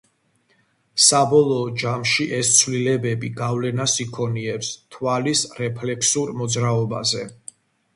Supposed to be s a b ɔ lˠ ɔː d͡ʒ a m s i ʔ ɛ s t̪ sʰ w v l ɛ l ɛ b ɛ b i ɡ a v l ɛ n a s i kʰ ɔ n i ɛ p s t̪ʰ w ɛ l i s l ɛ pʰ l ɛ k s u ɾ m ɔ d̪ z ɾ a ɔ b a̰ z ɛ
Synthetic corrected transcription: s a b ɔ lˠ ɔː d͡ʒ a m ʃ i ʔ ɛ s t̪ sʰ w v l i l ɛ b ɛ b i ɡ a v l ɛ n a s i kʰ ɔ n i ɛ p s t̪ʰ w a l i s ɾ ɛ pʰ l ɛ k s u ɾ m ɔ d̪ z ɾ a ɔ b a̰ z ɛ